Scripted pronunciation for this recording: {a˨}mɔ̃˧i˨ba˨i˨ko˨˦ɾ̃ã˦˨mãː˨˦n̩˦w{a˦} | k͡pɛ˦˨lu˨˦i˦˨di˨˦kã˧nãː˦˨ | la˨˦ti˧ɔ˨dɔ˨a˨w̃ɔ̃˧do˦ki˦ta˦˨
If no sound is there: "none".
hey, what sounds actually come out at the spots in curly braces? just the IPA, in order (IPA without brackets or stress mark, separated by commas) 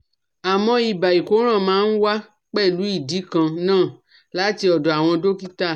a˨, a˦